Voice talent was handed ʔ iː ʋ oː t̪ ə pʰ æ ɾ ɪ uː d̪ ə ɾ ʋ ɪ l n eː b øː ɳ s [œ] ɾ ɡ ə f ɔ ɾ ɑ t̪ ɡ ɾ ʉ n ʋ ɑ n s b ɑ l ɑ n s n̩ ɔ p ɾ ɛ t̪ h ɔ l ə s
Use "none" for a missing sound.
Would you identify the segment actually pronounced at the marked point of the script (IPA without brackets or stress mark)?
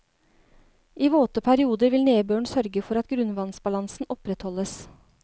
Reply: œ